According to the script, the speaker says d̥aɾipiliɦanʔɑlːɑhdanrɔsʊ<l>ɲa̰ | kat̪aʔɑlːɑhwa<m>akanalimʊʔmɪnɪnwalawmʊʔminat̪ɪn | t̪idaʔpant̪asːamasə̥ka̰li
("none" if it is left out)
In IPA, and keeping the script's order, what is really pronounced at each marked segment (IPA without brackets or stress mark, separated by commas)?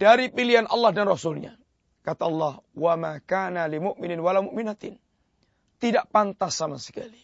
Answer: l, m